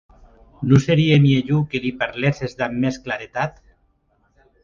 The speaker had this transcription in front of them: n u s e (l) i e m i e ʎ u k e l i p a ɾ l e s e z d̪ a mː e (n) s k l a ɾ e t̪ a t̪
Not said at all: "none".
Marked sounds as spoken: ɾ, none

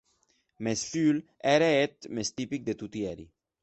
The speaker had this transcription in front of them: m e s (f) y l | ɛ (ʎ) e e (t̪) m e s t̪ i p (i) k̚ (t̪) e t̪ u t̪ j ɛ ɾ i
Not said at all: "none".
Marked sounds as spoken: f, ɾ, t̪, i, d̪

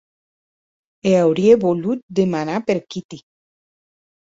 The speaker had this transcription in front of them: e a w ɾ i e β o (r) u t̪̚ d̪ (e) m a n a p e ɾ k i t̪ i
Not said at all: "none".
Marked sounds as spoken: l, e

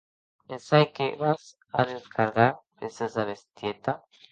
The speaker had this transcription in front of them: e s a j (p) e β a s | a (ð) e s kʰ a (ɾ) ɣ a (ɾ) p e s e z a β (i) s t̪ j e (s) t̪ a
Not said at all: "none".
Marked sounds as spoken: k, ð, ɾ, ɾ, e, none

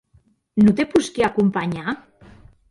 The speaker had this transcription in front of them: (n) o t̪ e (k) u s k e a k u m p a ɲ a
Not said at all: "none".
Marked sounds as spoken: n, p

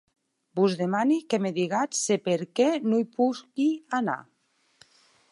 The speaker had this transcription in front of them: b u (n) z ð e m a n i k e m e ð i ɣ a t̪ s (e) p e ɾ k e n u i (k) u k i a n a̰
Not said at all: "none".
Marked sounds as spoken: none, e, p

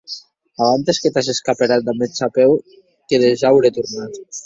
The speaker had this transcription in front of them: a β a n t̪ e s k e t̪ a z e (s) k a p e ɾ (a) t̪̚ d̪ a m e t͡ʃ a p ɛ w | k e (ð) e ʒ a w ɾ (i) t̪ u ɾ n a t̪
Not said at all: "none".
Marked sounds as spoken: s, a, ð, e

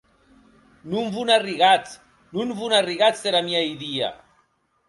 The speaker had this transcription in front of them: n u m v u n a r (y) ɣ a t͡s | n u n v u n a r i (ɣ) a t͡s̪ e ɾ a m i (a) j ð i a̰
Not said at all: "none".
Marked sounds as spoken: i, ɣ, a

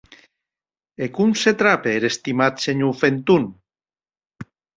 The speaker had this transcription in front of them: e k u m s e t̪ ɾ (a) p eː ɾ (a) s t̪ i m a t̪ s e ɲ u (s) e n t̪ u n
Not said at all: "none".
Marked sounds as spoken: a, e, f

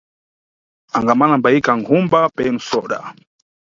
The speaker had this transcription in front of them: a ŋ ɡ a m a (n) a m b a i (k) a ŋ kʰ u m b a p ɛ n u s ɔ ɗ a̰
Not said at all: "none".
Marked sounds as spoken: n, k

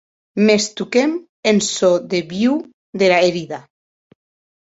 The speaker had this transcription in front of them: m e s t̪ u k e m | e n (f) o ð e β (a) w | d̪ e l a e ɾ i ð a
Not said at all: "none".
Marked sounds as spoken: s, i

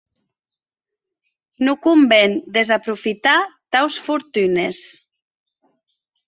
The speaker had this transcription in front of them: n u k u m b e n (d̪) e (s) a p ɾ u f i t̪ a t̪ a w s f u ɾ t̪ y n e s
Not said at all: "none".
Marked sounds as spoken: d̪, z

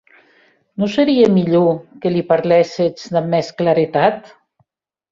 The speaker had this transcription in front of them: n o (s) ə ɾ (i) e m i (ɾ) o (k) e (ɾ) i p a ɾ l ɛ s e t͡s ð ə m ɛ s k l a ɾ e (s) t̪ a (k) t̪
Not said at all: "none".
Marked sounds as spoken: s, i, ʎ, k, l, none, none

